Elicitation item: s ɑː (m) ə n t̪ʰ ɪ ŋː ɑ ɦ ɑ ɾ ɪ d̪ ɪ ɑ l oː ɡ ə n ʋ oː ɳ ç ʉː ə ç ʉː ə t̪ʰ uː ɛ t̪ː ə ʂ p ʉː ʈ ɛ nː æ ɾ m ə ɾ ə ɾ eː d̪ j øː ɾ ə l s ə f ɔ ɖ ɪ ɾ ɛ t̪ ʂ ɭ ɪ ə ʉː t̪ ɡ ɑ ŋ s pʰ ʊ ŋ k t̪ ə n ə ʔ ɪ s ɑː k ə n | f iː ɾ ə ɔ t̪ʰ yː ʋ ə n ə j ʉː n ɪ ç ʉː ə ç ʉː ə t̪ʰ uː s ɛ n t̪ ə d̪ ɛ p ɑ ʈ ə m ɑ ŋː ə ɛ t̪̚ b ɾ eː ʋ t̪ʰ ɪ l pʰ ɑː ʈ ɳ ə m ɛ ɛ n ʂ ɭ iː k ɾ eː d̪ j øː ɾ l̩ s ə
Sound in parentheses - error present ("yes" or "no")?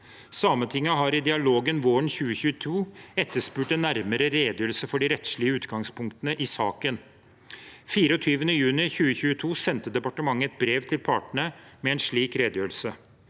no